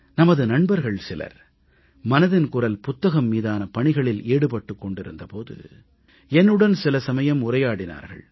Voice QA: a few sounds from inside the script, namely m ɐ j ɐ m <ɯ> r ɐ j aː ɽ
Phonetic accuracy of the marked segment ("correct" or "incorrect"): incorrect